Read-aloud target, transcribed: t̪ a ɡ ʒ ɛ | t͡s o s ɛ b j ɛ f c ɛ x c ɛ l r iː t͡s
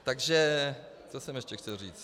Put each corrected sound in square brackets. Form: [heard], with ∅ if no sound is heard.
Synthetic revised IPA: t̪ a ɡ ʒ ɛ | t͡s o s ɛ [m] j ɛ [ʃ] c ɛ x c ɛ l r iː t͡s